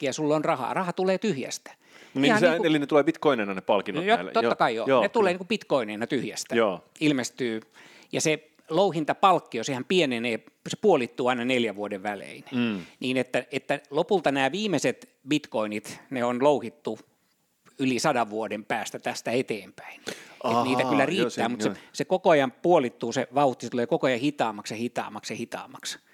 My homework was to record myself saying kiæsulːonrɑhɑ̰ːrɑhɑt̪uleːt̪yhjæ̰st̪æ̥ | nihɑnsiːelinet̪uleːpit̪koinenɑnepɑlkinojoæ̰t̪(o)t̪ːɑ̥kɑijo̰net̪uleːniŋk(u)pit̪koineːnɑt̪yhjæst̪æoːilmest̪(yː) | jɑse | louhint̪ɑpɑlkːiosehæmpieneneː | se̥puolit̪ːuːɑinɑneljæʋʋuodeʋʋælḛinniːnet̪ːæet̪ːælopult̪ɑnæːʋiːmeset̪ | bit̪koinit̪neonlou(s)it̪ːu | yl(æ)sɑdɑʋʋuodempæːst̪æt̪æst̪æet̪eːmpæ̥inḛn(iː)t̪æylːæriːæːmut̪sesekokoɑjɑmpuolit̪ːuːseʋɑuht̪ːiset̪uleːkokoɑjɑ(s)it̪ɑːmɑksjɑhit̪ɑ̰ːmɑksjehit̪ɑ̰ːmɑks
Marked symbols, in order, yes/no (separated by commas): yes, yes, yes, no, no, yes, no